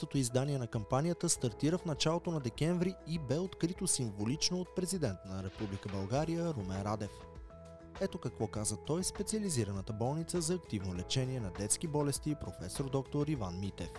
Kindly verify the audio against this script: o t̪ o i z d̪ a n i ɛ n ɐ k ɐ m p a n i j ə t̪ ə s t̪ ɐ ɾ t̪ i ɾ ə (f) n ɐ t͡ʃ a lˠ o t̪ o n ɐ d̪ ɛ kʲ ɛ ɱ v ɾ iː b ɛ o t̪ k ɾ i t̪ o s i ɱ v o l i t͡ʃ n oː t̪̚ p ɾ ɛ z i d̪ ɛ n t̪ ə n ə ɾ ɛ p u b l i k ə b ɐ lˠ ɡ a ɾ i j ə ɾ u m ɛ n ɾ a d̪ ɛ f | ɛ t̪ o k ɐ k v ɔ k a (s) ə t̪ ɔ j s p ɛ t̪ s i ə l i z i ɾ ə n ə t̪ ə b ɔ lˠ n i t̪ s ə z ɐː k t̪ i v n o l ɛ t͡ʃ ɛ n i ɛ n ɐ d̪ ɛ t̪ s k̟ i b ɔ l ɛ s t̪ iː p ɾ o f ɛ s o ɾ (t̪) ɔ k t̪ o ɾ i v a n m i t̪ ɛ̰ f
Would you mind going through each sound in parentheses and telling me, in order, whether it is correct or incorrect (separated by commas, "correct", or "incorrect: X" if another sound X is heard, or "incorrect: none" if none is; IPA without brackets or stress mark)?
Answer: correct, incorrect: z, incorrect: d̪